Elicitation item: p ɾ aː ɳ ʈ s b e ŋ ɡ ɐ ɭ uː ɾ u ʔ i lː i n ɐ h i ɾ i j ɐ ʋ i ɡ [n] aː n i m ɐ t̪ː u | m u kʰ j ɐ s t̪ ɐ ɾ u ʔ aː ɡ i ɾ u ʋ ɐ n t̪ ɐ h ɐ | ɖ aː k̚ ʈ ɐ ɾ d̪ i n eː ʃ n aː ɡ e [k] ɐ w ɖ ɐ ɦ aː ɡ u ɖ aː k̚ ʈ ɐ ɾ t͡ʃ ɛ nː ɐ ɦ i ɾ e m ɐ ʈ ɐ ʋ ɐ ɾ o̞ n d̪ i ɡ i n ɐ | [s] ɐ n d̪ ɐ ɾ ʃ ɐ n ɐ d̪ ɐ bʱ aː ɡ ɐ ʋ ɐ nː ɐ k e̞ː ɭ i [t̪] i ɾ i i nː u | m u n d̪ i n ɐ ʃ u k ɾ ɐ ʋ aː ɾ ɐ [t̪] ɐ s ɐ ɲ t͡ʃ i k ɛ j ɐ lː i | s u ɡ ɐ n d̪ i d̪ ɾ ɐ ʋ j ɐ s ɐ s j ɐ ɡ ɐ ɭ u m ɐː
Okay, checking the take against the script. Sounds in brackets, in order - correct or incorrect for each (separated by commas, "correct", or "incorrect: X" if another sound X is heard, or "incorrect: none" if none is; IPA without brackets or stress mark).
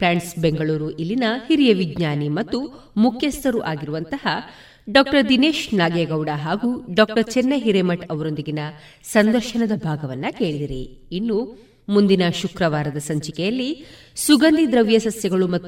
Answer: incorrect: ɲ, incorrect: ɡ, correct, incorrect: d̪, incorrect: d̪